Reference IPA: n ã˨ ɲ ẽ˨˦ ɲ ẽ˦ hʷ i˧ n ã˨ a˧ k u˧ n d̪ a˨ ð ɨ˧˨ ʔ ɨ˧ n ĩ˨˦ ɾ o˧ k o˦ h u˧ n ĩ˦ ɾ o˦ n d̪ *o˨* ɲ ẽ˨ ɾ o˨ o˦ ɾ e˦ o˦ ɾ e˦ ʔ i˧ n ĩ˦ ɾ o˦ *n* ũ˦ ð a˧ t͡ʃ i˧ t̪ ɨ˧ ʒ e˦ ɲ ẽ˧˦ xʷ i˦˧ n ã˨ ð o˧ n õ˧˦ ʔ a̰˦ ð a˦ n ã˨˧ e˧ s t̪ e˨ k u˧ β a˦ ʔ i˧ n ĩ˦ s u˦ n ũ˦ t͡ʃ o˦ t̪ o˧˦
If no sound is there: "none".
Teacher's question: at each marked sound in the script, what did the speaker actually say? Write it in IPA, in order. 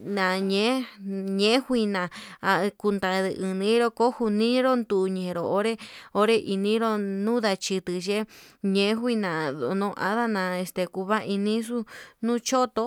u˨, n

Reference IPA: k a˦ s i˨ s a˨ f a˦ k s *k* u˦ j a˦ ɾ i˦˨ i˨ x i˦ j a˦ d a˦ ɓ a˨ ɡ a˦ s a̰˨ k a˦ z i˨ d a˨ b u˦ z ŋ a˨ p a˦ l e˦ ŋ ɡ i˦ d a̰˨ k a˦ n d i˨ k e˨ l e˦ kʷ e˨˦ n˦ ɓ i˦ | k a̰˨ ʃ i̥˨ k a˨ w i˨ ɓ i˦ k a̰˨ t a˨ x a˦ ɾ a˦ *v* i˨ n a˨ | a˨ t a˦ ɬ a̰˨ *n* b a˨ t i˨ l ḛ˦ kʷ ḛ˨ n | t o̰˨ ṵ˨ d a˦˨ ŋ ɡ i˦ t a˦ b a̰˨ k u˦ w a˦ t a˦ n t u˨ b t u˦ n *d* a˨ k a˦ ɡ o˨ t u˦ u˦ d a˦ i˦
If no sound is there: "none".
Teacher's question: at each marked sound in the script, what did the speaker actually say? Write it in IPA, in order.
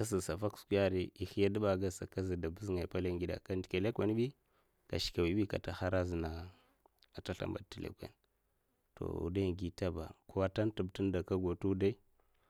k, z, m, d

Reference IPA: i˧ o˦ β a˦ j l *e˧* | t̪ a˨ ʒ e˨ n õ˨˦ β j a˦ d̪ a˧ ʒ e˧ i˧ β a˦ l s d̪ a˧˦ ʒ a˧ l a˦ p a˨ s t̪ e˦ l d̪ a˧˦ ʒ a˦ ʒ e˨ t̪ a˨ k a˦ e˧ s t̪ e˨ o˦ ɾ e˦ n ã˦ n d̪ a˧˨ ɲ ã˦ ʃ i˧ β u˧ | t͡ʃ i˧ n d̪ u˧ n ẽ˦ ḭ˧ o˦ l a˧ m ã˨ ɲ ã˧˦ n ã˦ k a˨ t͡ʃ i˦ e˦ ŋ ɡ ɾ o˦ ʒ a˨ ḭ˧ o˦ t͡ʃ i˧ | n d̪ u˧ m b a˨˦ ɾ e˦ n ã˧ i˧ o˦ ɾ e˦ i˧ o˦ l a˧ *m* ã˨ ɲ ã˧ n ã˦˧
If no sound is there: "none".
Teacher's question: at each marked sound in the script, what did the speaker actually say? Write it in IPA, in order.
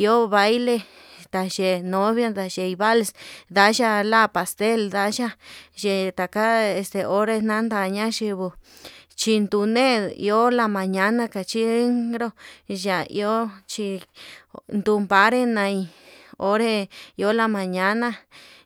e˧, m

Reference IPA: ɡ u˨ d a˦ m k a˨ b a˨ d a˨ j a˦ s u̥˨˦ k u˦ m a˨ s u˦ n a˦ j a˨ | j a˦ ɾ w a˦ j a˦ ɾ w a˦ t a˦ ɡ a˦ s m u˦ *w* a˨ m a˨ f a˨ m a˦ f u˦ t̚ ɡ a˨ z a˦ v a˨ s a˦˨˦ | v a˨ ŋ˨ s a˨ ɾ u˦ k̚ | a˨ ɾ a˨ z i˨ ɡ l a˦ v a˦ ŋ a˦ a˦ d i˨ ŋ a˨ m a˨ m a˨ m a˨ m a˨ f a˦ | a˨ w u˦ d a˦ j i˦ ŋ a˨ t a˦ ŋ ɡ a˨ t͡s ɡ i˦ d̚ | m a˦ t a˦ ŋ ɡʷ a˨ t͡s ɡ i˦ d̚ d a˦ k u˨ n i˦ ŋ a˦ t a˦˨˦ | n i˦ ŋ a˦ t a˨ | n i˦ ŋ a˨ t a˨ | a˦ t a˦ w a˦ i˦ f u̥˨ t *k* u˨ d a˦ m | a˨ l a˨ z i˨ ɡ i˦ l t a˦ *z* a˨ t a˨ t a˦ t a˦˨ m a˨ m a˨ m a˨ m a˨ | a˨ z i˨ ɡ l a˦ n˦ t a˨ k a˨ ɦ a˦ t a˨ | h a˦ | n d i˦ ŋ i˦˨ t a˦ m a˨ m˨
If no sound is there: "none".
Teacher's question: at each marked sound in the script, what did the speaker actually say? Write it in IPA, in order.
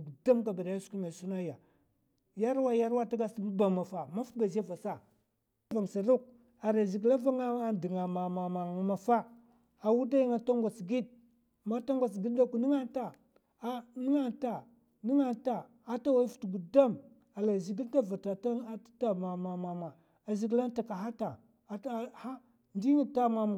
b, ɡ, v

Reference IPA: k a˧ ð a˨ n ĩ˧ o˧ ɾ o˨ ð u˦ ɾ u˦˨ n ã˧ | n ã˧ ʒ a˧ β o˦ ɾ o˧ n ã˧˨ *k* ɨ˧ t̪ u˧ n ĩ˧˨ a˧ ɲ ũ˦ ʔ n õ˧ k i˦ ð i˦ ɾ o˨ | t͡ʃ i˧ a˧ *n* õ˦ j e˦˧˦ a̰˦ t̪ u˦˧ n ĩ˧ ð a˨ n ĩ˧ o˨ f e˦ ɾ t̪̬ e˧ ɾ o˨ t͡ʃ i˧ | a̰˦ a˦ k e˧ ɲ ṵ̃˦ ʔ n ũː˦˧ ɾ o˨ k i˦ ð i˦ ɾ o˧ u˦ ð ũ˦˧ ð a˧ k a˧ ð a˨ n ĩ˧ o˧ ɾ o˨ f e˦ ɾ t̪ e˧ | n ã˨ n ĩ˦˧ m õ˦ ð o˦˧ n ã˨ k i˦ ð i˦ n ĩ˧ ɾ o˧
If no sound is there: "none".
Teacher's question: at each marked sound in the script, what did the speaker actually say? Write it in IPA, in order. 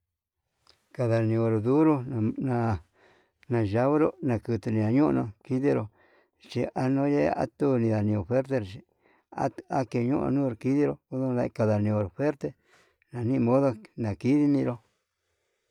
k, n

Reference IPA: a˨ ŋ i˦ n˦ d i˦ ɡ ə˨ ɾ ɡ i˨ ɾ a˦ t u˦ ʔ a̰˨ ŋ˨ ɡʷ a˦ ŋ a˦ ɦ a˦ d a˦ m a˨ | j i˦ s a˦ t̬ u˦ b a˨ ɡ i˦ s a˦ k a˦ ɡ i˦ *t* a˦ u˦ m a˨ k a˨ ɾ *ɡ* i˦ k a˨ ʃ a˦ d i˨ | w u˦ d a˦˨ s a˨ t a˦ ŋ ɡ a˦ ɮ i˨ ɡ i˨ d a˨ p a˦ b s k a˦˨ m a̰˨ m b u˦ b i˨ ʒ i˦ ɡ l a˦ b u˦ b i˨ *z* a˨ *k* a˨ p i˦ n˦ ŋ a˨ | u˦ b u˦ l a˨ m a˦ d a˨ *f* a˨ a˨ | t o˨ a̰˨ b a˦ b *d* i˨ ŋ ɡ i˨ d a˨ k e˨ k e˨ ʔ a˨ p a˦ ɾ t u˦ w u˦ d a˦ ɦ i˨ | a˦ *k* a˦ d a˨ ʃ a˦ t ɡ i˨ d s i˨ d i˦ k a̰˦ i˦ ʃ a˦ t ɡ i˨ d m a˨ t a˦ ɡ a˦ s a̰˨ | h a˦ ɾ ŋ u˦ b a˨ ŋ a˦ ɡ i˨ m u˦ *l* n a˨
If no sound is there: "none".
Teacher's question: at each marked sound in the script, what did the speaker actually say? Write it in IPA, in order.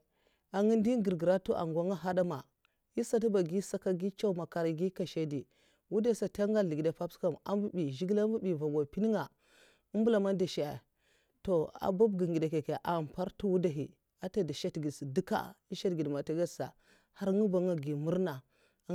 t͡ʃ, ɡ, v, ɡ, ʃ, ɡ, t, ɾ

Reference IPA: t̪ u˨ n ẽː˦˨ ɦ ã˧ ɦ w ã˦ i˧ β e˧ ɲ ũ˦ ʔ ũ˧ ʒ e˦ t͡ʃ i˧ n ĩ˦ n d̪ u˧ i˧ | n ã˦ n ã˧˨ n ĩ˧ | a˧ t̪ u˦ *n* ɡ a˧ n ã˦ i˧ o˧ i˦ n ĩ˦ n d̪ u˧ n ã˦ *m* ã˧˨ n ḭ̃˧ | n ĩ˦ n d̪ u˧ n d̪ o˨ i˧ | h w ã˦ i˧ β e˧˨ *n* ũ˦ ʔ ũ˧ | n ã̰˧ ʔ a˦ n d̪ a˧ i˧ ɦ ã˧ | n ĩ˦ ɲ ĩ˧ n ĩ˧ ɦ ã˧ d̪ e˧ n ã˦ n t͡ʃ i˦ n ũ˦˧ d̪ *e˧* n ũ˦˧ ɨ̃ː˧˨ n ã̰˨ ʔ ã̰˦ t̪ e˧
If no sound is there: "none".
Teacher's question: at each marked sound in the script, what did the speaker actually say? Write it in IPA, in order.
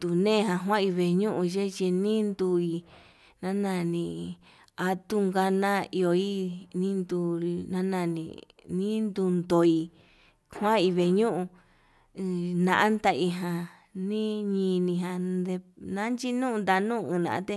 ŋ, n, ɲ, a˧

